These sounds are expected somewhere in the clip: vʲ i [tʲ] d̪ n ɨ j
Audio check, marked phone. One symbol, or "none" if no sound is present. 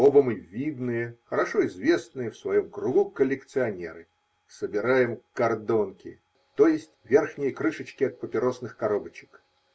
none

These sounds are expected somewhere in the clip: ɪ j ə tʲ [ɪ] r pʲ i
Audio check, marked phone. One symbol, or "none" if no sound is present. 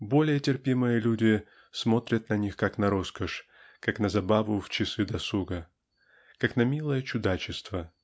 ɪ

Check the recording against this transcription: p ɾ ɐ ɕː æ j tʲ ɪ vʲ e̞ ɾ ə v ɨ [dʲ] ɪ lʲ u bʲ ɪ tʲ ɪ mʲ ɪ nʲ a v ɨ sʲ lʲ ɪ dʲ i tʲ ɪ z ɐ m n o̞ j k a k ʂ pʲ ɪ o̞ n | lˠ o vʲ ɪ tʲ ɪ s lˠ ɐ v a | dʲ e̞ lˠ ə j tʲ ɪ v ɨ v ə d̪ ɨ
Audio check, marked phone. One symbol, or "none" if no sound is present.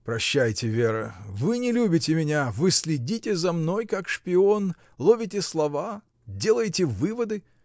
nʲ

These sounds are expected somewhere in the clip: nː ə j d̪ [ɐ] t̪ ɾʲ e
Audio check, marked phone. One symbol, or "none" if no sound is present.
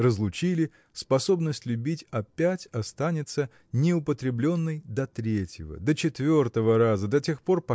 ɐ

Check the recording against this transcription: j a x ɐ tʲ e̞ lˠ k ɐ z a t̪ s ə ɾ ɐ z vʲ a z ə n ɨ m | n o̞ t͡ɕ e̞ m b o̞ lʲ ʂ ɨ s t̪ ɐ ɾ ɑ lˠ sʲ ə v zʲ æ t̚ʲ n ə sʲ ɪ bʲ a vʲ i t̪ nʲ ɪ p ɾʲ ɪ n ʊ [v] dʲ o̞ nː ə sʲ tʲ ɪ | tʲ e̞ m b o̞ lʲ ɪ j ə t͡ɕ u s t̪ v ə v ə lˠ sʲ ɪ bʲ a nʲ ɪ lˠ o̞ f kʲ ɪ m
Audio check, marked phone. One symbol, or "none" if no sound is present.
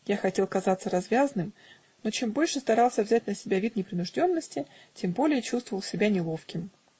ʐ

